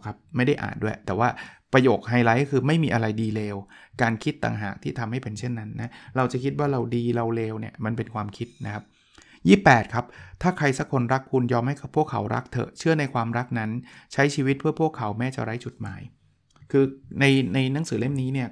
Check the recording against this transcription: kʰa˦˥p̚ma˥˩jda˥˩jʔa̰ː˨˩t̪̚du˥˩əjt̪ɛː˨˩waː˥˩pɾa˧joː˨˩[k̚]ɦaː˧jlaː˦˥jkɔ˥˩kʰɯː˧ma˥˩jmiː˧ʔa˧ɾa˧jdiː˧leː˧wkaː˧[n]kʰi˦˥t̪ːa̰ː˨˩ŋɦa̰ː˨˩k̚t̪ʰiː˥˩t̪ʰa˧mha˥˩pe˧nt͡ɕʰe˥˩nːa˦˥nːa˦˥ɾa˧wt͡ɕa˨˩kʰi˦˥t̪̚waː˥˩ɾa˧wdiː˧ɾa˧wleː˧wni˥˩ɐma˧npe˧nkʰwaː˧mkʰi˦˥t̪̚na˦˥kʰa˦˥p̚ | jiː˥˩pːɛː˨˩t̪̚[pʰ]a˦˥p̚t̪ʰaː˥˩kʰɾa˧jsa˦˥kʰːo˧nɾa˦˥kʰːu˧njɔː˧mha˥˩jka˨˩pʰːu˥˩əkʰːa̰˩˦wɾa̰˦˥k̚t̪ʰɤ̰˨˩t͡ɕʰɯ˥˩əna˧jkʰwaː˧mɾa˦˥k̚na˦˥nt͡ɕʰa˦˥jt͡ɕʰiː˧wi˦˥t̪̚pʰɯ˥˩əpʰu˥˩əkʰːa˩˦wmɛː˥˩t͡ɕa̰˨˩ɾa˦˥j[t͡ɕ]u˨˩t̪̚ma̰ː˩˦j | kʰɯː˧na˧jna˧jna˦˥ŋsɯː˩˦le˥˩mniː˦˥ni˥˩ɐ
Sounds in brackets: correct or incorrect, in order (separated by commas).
correct, correct, incorrect, correct